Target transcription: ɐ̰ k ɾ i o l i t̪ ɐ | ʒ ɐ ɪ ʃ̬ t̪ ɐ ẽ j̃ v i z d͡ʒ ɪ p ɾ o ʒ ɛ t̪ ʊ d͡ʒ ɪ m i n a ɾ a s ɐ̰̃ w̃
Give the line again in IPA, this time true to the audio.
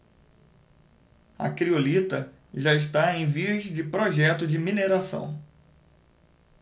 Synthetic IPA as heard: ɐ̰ k ɾ i o l i t̪ ɐ | ʒ a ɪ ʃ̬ t̪ a ẽ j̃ v i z d͡ʒ ɪ p ɾ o ʒ ɛ t̪ ʊ d͡ʒ ɪ m i n e ɾ a s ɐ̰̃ w̃